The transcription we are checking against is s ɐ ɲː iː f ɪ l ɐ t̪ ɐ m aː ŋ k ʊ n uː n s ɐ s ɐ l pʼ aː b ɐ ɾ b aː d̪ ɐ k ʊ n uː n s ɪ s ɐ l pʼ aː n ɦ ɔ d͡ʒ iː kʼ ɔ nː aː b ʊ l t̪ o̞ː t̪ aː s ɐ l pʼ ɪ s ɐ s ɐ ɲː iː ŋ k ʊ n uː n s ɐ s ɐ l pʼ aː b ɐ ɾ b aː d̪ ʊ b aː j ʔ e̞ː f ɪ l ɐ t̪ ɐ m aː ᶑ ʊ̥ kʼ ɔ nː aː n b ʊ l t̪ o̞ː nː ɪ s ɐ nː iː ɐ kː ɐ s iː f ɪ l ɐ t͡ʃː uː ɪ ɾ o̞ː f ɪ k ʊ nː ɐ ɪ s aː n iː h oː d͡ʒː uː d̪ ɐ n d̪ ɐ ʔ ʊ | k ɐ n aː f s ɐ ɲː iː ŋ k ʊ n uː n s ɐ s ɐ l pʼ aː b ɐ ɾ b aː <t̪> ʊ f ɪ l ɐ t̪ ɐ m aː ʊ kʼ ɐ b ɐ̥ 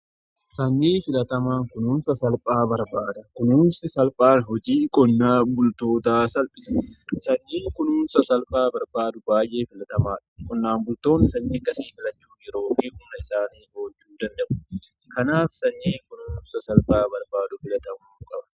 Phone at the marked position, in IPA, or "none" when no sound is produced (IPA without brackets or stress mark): d̪